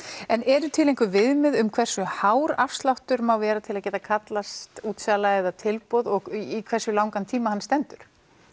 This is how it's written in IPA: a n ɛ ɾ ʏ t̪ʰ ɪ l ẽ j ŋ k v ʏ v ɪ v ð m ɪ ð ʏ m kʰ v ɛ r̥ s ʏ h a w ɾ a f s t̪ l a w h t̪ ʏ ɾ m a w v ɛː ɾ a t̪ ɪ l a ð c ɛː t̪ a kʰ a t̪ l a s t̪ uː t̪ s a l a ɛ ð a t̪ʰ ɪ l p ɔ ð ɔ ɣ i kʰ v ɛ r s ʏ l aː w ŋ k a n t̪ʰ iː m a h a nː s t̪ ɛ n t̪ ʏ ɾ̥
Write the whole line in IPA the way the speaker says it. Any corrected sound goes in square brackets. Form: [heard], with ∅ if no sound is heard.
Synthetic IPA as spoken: [ɛ] n ɛ ɾ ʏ t̪ʰ ɪ l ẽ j ŋ k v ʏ v ɪ [∅] ð m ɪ ð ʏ m kʰ v ɛ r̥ s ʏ h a w ɾ a f s t̪ l a w h t̪ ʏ ɾ m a w v ɛː ɾ a [t̪ʰ] ɪ l a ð c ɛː t̪ a kʰ a t̪ l a s t̪ uː t̪ s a l a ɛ ð a t̪ʰ ɪ l p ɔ ð ɔ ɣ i kʰ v ɛ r s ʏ l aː w ŋ k a n t̪ʰ iː m a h a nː s t̪ ɛ n t̪ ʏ ɾ̥